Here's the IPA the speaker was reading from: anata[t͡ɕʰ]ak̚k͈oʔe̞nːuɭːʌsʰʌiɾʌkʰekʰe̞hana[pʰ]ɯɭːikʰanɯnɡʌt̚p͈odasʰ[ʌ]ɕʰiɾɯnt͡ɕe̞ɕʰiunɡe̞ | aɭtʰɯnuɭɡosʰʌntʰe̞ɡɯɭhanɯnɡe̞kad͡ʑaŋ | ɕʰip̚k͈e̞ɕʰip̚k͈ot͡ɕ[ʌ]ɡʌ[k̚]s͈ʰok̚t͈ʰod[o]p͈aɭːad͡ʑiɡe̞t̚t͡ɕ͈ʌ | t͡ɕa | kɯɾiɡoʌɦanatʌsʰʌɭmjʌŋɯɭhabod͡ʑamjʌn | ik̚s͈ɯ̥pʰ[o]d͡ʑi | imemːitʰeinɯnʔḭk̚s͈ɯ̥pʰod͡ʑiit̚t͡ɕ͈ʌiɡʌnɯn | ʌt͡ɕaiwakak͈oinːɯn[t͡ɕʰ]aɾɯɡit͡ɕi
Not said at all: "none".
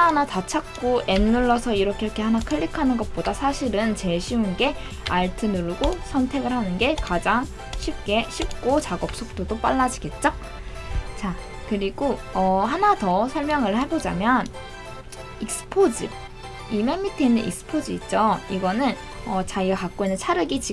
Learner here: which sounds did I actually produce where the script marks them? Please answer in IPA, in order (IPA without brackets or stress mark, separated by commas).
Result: t͡ɕʰ, kʰ, a, a, p̚, o, o, t͡ɕʰ